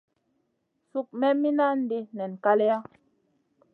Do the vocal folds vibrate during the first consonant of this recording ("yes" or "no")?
no